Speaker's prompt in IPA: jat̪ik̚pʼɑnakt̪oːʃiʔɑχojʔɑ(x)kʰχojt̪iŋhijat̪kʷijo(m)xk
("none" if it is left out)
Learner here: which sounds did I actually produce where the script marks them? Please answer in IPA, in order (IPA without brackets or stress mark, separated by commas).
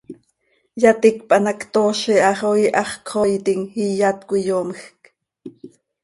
χ, m